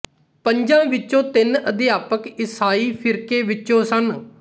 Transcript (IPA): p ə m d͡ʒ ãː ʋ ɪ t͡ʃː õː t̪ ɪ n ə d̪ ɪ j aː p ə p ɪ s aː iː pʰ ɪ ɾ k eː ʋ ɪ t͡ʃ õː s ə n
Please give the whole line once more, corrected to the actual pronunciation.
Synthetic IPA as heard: p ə ɲ d͡ʒ ãː ʋ ɪ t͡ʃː õː t̪ ɪ n ə d̪ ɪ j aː p ə k ɪ s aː iː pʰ ɪ ɾ k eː ʋ ɪ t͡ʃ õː s ə n